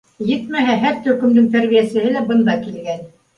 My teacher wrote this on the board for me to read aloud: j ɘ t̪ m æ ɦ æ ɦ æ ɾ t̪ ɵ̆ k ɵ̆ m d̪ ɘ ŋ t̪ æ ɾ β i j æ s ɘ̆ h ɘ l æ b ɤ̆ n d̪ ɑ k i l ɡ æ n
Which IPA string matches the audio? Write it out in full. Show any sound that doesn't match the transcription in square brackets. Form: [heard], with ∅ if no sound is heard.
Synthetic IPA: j ɘ t̪ m æ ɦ æ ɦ æ ɾ t̪ ɵ̆ k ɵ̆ m d̪ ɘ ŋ t̪ æ ɾ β i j æ s ɘ̆ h ɘ l æ b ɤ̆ n d̪ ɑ k i l ɡ æ n